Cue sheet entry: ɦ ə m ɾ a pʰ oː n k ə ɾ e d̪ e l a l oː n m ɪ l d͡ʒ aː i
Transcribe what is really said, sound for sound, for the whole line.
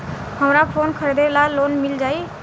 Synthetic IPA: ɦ ə m ɾ a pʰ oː n kʰ ə ɾ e d̪ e l a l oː n m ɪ l d͡ʒ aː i